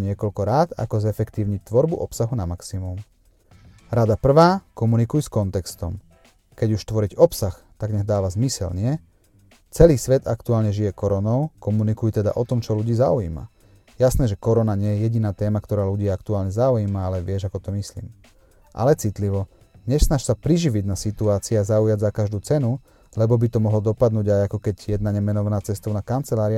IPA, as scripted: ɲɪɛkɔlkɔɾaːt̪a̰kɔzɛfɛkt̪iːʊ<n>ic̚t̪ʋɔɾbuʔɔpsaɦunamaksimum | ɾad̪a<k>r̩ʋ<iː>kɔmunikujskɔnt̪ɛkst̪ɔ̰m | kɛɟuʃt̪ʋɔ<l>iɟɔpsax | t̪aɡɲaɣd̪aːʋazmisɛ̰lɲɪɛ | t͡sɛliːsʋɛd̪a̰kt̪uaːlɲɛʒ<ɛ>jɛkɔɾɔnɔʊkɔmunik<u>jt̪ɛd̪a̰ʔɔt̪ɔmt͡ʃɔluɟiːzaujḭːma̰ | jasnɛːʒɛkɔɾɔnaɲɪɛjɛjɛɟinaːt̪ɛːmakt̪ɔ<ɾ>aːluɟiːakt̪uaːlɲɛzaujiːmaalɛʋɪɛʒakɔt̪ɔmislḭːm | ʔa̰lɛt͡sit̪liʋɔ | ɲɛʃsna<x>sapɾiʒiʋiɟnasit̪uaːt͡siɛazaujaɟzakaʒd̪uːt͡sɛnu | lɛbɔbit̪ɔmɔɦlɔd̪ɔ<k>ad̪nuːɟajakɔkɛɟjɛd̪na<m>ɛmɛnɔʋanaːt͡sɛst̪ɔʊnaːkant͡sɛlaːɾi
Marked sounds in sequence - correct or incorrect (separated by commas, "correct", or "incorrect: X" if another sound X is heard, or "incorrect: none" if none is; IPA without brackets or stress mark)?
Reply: incorrect: ɲ, incorrect: p, incorrect: aː, incorrect: ɾ, incorrect: i, correct, correct, incorrect: ʃ, incorrect: p, incorrect: ɲ